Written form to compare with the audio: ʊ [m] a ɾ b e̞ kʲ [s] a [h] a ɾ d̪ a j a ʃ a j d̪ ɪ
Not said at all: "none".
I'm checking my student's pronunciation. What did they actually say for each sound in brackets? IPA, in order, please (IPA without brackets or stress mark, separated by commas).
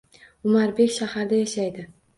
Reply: m, ʃ, h